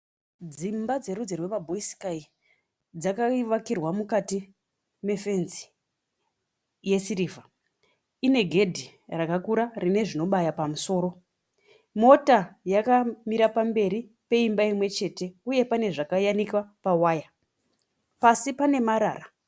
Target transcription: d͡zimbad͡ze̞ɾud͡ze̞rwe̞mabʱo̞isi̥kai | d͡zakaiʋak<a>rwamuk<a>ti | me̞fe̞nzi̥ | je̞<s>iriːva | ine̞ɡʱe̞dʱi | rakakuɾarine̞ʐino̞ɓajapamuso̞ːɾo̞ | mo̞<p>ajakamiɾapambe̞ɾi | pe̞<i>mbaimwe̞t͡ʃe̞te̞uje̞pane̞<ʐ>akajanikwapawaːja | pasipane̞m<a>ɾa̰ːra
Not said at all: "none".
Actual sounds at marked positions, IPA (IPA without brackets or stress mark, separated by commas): i, a, s, t, i, ʐ, a